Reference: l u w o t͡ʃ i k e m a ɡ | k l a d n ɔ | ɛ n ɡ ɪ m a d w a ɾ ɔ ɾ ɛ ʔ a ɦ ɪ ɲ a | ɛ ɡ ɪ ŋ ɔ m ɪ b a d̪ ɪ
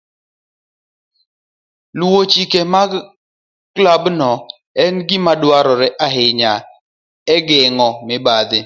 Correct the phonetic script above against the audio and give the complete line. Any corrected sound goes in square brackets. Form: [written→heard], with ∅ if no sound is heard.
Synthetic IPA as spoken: l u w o t͡ʃ i k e m a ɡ | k l a [d→b] n ɔ | ɛ n ɡ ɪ m a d w a ɾ ɔ ɾ ɛ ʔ a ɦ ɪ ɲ a | ɛ ɡ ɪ ŋ ɔ m ɪ b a d̪ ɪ